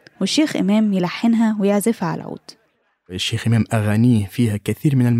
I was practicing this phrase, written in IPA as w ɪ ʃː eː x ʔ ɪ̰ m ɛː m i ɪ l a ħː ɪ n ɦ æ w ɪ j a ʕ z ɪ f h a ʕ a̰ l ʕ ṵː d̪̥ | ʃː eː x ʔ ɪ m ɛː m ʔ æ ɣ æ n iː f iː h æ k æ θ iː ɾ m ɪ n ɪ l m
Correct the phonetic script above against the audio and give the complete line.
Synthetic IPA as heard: w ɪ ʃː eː x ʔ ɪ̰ m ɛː m j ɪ l a ħː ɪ n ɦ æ w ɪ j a ʕ z ɪ f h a ʕ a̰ l ʕ ṵː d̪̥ | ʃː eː x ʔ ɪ m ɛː m ʔ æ ɣ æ n iː f iː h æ k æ θ iː ɾ m ɪ n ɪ l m